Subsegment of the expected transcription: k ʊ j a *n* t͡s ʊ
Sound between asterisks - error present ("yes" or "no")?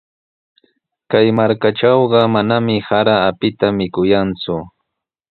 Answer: no